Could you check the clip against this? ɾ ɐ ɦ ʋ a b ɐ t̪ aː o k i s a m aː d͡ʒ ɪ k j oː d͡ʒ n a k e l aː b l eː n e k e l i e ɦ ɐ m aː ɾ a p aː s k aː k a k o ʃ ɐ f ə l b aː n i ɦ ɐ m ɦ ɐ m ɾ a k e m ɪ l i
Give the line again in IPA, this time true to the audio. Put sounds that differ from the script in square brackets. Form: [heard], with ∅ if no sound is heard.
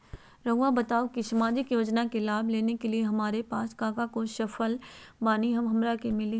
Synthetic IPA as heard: ɾ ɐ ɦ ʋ a b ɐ t̪ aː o k i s [ɐ] m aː d͡ʒ ɪ k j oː d͡ʒ n a k e l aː b l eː n e k e l i e ɦ ɐ m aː ɾ [e] p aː s k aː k a k o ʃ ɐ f ə l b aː n i ɦ ɐ m ɦ ɐ m ɾ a k e m ɪ l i